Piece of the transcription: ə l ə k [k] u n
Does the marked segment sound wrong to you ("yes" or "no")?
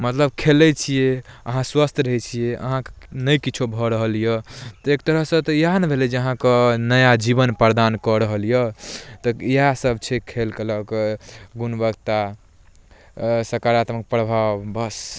yes